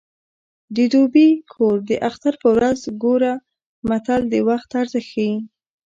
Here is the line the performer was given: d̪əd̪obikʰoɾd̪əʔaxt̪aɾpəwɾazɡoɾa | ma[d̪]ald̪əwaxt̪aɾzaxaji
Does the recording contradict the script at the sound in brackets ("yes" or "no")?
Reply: yes